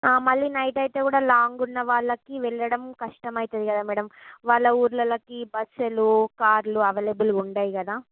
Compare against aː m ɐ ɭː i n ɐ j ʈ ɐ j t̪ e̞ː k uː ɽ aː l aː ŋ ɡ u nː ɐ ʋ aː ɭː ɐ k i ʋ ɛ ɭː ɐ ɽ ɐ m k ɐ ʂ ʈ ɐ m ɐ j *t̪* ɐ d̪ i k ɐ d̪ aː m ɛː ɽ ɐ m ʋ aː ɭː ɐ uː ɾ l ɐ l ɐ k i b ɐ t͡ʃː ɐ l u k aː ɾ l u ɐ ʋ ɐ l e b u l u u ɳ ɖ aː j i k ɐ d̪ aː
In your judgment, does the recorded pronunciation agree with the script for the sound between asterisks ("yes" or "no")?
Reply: yes